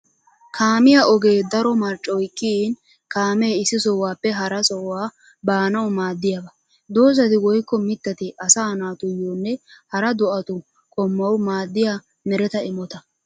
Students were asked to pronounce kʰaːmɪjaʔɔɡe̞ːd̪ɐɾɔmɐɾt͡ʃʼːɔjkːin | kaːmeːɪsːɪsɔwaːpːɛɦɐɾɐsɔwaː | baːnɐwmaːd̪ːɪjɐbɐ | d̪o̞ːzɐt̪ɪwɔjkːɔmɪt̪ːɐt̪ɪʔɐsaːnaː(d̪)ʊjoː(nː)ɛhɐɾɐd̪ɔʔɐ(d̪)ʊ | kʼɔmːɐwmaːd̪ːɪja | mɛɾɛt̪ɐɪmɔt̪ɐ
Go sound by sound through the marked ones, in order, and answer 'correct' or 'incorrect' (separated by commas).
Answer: incorrect, correct, incorrect